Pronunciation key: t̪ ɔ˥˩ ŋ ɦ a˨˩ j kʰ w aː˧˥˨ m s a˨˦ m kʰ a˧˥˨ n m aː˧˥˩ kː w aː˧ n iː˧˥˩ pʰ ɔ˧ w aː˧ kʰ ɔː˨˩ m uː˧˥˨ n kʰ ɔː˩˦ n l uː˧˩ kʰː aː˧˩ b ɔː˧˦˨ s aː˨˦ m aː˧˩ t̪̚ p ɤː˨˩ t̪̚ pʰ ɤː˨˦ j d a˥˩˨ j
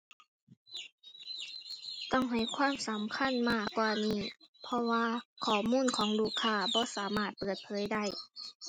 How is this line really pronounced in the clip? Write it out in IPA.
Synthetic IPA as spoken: t̪ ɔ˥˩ ŋ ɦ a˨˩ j kʰ w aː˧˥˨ m s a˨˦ m kʰ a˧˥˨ n m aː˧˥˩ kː w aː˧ n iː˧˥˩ pʰ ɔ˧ w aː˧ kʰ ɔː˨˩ m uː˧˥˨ n kʰ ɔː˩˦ ŋ l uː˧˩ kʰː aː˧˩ b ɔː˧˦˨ s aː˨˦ m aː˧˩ t̪̚ p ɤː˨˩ t̪̚ pʰ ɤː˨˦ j d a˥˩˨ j